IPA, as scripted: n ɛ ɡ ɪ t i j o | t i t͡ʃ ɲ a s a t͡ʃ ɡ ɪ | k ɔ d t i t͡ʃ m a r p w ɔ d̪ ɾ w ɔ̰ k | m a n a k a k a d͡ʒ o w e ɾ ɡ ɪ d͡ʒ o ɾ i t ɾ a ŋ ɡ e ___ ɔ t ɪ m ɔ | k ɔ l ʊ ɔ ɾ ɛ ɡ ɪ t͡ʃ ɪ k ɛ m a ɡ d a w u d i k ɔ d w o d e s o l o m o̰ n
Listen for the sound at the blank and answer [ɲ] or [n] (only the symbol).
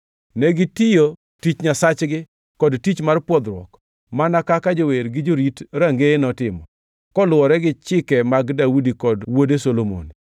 n